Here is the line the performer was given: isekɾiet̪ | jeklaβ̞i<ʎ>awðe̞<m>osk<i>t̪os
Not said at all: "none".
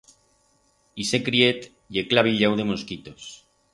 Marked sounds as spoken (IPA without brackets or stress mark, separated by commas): ʎ, m, i